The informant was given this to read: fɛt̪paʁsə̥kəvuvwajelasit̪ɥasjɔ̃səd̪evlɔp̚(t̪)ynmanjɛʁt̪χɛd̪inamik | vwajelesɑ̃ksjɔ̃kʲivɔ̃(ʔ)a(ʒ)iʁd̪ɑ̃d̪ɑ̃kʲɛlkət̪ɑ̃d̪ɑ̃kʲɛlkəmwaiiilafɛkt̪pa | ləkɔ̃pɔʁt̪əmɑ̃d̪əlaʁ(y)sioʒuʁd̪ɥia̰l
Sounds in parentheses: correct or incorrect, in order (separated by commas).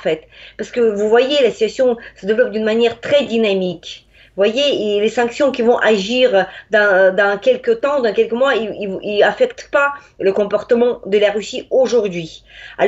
incorrect, correct, correct, correct